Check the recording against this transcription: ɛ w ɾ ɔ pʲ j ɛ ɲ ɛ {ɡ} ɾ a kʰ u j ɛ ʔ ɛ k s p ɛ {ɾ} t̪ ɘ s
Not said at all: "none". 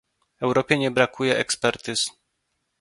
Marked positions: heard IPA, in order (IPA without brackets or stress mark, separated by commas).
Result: b, ɾ